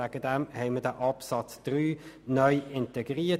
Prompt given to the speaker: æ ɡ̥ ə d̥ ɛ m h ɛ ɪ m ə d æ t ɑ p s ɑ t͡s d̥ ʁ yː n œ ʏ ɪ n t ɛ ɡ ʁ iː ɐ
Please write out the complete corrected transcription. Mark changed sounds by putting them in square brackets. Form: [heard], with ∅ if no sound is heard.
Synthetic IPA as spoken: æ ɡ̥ ə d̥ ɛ m h ɛ ɪ m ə d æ [ʔ] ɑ p s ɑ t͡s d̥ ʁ yː n œ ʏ ɪ n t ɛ ɡ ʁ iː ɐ